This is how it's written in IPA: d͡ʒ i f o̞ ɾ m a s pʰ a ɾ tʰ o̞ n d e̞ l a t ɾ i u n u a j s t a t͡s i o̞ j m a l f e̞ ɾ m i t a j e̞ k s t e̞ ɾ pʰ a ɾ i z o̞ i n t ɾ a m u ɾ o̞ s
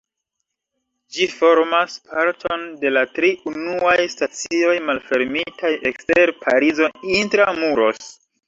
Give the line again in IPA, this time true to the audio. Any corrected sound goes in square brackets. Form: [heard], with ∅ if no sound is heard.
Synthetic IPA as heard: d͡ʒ i f o̞ ɾ m a s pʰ a ɾ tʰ o̞ n d e̞ l a t ɾ i u n u a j s t a t͡s i o̞ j m a l f e̞ ɾ m i t a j e̞ k s t e̞ ɾ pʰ a ɾ i z o̞ i n t ɾ a m u ɾ o̞ s